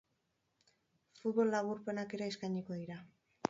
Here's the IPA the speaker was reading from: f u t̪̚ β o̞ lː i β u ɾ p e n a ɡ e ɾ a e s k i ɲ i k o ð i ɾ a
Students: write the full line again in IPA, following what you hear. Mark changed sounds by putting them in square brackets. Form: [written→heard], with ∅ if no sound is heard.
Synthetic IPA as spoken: f u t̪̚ β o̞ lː [i→a] β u ɾ p e n a [ɡ→k] e ɾ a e s k [i→a] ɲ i k o ð i ɾ a